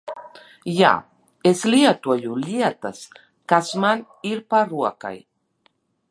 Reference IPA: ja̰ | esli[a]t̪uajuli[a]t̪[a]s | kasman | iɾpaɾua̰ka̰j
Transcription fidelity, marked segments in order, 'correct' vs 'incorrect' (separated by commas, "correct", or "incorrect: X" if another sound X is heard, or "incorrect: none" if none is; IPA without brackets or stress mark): correct, correct, correct